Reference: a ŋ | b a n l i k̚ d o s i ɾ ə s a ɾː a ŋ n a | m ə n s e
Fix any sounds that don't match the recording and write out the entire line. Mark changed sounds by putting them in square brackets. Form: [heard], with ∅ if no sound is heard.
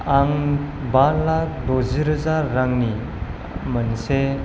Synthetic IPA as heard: a ŋ | b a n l [a] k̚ d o [z] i ɾ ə [z] a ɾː a ŋ n [i] | m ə n s e